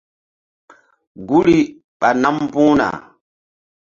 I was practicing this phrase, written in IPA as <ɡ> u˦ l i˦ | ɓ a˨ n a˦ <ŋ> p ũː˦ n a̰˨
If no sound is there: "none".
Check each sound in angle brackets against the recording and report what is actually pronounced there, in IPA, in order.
ɡ, m

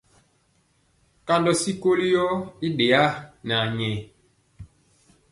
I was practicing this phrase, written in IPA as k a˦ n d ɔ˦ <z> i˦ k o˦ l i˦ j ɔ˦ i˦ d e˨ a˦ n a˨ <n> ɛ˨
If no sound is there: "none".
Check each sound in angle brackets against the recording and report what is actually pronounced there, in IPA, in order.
s, ɲ

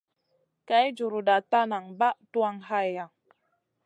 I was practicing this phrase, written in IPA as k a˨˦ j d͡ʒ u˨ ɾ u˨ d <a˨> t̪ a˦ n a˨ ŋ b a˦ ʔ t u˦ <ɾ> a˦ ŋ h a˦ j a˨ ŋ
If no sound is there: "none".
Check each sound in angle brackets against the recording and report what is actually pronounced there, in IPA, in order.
a˨, none

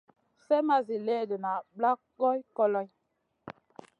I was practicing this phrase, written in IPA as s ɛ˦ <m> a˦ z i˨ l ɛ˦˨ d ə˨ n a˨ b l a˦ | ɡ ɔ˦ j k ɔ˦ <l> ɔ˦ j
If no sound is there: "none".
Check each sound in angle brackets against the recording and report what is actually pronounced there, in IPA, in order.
m, l

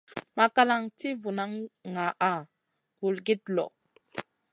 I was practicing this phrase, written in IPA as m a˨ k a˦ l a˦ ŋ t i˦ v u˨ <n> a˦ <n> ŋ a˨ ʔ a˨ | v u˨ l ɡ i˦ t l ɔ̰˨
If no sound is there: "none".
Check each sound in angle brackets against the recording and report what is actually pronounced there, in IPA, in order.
n, ŋ

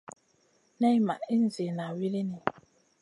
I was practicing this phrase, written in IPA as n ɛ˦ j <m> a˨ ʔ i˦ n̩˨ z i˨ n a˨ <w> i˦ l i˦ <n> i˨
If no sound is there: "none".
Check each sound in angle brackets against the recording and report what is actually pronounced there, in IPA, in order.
m, w, n

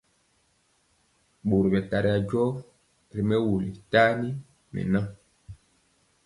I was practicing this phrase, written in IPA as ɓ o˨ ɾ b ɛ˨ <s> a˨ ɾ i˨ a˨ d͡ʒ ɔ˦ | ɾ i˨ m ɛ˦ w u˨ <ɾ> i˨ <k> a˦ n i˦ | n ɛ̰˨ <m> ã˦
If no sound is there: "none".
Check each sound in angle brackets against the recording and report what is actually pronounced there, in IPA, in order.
t, l, t, n

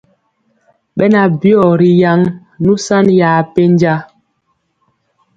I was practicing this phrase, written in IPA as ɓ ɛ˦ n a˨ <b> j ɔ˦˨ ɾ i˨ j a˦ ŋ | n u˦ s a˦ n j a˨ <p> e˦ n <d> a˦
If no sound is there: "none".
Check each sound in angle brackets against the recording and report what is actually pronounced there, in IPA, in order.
b, p, d͡ʒ

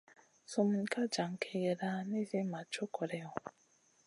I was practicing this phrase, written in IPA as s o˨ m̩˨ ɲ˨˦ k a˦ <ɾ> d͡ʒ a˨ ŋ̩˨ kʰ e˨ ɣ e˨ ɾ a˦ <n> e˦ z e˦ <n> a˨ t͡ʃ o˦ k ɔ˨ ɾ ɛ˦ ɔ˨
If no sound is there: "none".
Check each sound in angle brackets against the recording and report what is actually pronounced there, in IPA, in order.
none, n, m

